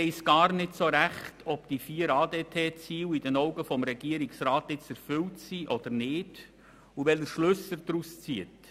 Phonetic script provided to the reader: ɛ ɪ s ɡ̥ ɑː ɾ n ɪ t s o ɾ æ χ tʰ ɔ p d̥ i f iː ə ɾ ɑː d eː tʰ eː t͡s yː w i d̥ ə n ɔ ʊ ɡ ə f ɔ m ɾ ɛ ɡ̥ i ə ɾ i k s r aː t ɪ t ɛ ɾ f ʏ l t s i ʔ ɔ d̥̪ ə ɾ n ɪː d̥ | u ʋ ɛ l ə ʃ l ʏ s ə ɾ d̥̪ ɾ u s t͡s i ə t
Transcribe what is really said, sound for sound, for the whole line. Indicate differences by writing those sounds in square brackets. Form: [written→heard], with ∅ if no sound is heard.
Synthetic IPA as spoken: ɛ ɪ s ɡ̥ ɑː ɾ n ɪ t s o ɾ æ χ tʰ ɔ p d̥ i f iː ə ɾ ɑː d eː tʰ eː t͡s [yː→iː] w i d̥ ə n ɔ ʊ ɡ ə f ɔ m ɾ ɛ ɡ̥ i ə ɾ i k s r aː t ɪ [t→t͡s] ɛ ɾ f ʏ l t s i ʔ ɔ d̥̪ ə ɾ n ɪː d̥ | u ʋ ɛ l ə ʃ l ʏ s ə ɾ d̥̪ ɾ u s t͡s i ə t